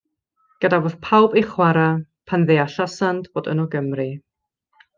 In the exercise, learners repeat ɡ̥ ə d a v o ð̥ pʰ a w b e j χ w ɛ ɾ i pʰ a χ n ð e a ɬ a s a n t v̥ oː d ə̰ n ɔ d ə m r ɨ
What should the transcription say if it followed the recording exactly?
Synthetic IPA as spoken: ɡ̥ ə d a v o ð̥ pʰ a w b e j χ w a ɾ a pʰ a n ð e a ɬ a s a n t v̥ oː d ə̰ n ɔ ɡ ə m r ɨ